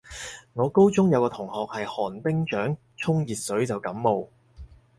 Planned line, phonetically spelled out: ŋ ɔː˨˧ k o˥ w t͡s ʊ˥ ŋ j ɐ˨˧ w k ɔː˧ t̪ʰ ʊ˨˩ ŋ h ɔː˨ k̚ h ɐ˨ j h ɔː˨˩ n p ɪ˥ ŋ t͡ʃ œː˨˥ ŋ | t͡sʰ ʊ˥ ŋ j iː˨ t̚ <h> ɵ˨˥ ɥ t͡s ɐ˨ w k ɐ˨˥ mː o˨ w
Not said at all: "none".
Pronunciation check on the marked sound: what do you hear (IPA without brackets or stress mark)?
s